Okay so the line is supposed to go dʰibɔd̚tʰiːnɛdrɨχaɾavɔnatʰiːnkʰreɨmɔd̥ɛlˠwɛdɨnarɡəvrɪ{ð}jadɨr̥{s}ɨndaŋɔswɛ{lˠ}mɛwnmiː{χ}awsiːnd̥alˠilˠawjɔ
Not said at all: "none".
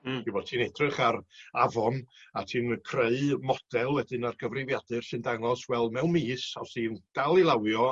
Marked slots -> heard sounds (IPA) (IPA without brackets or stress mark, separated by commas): v, s, lˠ, s